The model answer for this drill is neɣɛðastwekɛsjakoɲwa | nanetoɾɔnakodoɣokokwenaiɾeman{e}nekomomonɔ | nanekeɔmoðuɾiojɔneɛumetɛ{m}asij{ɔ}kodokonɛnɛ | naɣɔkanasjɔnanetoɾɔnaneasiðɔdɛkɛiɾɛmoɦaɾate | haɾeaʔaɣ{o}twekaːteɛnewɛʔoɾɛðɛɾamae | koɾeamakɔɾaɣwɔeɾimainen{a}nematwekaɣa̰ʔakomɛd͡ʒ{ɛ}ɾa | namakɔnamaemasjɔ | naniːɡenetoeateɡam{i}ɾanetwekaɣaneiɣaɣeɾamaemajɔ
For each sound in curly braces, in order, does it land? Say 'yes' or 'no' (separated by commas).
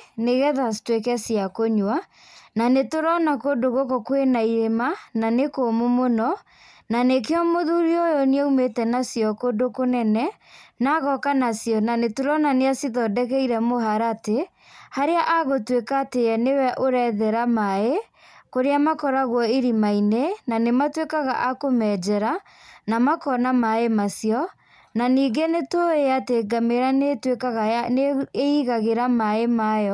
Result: no, no, yes, yes, yes, yes, no